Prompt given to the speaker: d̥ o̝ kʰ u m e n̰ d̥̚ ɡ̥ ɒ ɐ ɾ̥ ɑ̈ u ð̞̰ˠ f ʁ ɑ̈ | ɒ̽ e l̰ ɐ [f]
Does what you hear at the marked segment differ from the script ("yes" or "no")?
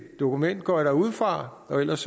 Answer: yes